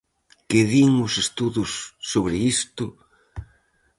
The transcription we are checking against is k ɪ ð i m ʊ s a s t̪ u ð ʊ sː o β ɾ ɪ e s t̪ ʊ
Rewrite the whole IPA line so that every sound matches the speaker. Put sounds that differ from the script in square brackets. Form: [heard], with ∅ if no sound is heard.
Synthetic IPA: k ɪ ð i [ŋ] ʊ s [e] s t̪ u ð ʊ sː o β ɾ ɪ [i] s t̪ ʊ